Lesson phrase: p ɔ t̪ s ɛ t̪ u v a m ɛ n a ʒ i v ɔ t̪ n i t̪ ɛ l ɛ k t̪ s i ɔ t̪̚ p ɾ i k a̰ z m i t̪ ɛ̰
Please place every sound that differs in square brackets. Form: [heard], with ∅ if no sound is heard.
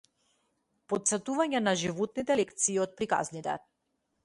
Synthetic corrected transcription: p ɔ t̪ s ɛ t̪ u v a [ɲ] ɛ n a ʒ i v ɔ t̪ n i t̪ ɛ l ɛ k t̪ s [iː] ɔ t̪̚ p ɾ i k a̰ z [n] i t̪ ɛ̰